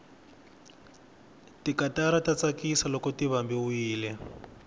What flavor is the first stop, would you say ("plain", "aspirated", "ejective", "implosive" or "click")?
plain